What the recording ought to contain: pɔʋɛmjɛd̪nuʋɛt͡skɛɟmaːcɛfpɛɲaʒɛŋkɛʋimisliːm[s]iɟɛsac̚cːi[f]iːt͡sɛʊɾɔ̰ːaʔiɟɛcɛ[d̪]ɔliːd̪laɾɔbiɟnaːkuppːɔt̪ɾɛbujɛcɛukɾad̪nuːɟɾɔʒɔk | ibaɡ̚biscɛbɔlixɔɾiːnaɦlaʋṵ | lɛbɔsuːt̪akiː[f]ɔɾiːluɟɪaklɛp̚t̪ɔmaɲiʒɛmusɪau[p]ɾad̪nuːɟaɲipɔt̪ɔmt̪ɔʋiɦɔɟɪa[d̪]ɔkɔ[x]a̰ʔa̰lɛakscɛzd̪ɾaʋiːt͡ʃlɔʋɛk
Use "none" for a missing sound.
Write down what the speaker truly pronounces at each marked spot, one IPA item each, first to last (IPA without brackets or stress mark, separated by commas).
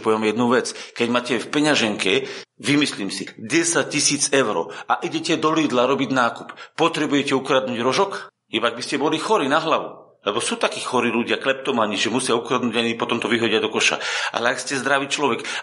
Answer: s, s, d̪, x, k, d̪, ʃ